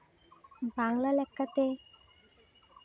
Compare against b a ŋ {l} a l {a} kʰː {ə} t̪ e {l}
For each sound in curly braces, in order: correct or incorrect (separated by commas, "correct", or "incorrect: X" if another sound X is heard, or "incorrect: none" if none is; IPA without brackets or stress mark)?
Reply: correct, incorrect: ɛ, incorrect: a, incorrect: none